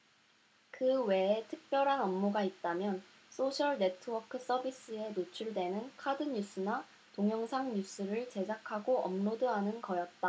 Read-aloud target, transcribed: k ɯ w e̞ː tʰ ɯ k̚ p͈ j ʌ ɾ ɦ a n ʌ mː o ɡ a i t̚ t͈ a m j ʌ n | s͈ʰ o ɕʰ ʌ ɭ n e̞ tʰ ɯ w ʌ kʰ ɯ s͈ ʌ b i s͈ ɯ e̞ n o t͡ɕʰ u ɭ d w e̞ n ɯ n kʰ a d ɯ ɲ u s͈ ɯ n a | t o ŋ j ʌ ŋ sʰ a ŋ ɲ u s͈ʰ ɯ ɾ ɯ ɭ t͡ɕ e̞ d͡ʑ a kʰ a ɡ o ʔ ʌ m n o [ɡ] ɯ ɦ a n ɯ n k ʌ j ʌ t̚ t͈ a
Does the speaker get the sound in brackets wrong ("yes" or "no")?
yes